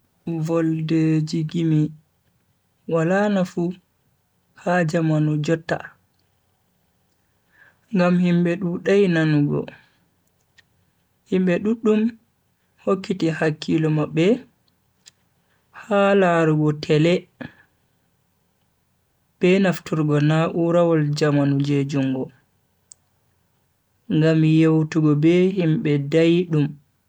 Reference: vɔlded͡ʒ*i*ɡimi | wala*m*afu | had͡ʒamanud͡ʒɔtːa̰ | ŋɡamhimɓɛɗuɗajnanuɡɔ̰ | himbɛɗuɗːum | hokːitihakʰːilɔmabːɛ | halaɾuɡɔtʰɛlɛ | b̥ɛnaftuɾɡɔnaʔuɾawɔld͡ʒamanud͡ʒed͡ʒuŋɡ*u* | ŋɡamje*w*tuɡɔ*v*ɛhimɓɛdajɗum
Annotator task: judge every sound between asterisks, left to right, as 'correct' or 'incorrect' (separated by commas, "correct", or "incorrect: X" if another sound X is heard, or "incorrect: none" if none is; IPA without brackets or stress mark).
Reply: correct, incorrect: n, incorrect: ɔ, correct, incorrect: b